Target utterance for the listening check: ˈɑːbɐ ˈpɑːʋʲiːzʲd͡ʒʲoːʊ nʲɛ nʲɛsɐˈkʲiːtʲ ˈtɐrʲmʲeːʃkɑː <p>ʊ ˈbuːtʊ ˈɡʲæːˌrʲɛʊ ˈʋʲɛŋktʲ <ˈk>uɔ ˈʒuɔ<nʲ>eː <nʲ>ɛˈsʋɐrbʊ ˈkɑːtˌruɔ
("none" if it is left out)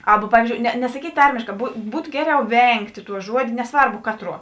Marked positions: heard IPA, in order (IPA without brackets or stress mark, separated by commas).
b, t, dʲ, nʲ